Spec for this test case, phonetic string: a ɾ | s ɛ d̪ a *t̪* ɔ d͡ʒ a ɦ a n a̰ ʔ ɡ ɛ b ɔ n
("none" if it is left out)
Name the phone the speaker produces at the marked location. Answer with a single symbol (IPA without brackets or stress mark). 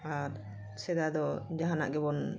d̪